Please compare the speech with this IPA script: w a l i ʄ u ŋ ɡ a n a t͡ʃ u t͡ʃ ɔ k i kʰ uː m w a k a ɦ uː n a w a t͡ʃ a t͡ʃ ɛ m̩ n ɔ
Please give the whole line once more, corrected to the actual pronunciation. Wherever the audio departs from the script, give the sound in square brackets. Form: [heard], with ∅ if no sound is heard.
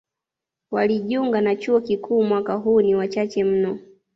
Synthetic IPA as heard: w a l i ʄ u ŋ ɡ a n a t͡ʃ u [∅] ɔ k i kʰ uː m w a k a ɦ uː n [i] w a t͡ʃ a t͡ʃ ɛ m̩ n ɔ